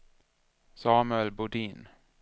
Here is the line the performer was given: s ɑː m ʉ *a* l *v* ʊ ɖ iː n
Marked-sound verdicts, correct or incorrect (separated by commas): incorrect, incorrect